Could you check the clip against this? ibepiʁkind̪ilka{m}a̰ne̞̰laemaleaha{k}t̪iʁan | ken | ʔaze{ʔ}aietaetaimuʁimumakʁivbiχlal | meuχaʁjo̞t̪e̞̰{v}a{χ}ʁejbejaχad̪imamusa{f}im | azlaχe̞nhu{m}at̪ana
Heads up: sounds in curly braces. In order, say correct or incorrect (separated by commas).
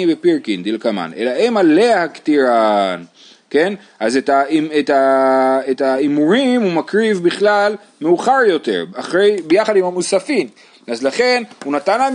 correct, correct, incorrect, incorrect, correct, correct, incorrect